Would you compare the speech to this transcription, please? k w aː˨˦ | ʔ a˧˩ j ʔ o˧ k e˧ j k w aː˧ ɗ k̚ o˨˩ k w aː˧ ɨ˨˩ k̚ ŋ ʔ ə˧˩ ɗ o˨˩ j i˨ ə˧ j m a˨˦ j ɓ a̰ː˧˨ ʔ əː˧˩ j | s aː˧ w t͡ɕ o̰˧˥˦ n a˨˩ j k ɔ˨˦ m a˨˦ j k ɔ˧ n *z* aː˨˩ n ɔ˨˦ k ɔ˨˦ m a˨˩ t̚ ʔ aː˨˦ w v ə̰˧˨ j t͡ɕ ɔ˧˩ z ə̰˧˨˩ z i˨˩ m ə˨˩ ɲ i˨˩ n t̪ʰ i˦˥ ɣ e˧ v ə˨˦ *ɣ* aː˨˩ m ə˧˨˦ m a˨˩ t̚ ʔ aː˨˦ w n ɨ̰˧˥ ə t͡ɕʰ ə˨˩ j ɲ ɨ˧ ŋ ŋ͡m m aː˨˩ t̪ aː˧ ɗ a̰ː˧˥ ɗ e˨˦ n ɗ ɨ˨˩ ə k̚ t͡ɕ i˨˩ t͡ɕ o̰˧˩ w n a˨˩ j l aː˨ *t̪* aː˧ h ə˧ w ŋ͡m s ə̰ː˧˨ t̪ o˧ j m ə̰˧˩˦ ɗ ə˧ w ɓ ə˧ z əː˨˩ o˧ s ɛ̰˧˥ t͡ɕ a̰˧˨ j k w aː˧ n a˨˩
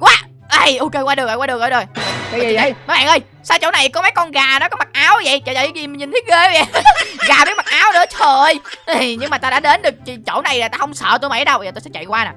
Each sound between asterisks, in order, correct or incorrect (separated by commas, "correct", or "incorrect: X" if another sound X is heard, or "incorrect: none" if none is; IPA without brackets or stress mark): incorrect: ɣ, correct, correct